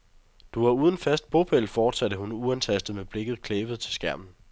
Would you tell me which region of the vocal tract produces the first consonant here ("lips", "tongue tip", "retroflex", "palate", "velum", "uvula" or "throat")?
tongue tip